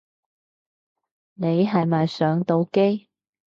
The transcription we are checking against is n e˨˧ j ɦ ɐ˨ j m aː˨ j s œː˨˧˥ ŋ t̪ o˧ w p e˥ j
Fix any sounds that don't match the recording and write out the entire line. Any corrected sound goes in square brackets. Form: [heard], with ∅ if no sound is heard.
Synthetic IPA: n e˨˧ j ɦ ɐ˨ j m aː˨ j s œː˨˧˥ ŋ t̪ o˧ w [k] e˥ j